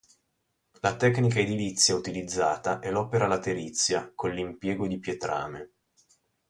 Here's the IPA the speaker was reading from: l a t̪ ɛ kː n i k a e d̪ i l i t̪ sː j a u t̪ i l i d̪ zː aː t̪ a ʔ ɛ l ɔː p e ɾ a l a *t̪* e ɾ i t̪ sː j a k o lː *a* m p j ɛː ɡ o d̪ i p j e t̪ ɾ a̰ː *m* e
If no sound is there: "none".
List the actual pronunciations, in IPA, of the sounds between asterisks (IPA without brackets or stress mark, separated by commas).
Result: t̪, i, m